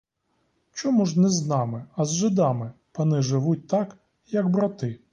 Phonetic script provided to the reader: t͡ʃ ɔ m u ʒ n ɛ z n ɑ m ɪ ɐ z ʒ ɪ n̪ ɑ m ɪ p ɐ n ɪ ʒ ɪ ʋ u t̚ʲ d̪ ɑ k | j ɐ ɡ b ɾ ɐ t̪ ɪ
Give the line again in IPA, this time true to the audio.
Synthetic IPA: t͡ʃ ɔ m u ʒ n ɛ z n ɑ m ɪ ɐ z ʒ ɪ d̪ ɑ m ɪ p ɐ n ɪ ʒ ɪ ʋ u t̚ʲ t̪ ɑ k | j ɐ ɡ b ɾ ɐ t̪ ɪ